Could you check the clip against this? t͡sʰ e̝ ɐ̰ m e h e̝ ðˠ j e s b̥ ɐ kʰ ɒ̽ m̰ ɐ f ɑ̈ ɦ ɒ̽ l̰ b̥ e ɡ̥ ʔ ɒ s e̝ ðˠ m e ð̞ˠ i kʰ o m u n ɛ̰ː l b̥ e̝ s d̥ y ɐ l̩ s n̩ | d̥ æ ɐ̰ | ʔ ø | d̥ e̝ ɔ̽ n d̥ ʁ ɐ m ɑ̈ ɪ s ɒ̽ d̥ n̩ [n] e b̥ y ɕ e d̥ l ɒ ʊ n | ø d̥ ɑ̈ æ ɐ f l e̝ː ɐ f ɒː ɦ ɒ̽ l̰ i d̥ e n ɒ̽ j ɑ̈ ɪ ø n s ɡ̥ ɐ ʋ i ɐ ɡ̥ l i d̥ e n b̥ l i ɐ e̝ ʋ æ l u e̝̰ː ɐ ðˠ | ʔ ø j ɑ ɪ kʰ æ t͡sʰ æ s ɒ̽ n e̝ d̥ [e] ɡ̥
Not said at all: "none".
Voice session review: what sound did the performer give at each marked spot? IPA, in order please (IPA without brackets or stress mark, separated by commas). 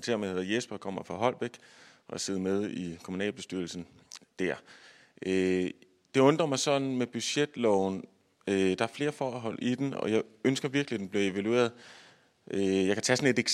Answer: m, e